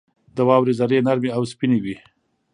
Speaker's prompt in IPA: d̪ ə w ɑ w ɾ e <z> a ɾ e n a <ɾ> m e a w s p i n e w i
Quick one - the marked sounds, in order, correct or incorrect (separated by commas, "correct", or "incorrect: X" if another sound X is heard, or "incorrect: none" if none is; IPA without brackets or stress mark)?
correct, correct